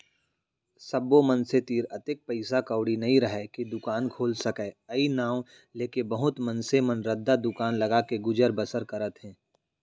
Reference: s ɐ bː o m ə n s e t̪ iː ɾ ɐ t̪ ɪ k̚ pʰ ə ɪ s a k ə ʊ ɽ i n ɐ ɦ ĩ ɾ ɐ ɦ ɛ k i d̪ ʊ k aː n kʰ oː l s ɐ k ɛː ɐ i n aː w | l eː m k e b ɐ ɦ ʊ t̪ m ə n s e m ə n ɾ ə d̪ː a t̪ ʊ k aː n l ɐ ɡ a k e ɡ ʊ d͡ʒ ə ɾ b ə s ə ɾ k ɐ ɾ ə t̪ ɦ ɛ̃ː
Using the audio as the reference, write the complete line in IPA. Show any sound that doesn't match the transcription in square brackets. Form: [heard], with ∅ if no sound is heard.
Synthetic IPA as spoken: s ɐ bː o m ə n s e t̪ iː ɾ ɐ t̪ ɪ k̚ [p] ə ɪ s a k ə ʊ ɽ i n ɐ ɦ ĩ ɾ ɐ ɦ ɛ k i d̪ ʊ k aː n kʰ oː l s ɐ k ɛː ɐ i n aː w | l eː [∅] k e b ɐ ɦ ʊ t̪ m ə n s e m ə n ɾ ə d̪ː a [d̪] ʊ k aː n l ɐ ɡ a k e ɡ ʊ d͡ʒ ə ɾ b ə s ə ɾ k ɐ ɾ ə t̪ ɦ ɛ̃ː